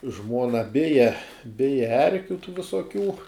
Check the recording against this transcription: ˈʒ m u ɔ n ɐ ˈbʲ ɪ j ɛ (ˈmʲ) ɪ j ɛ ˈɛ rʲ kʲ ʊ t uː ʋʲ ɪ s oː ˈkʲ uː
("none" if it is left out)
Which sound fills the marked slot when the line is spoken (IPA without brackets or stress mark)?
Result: bʲ